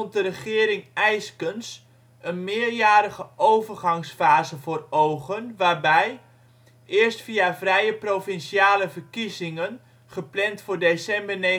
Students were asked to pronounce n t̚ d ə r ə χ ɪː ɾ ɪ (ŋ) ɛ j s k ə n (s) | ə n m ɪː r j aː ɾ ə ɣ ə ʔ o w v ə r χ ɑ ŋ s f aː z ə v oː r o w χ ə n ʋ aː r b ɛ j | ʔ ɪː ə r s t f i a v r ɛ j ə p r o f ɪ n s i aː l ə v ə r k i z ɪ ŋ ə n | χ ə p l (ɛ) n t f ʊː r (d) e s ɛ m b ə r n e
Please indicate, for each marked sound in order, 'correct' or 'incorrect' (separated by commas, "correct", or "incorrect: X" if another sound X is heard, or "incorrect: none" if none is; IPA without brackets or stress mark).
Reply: correct, correct, correct, correct